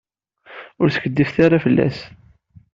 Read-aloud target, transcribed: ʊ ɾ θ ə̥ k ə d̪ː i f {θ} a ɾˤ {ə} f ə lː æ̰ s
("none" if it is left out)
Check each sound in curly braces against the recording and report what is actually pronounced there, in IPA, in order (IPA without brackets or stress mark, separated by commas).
θ, a